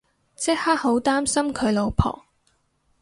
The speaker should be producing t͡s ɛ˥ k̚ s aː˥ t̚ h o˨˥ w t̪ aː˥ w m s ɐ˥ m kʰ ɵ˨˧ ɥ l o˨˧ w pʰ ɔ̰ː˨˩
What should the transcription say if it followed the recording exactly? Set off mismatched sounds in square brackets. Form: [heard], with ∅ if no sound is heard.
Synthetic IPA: t͡s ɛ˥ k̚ [h] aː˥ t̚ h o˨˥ w t̪ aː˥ [∅] m s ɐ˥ m kʰ ɵ˨˧ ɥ l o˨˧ w pʰ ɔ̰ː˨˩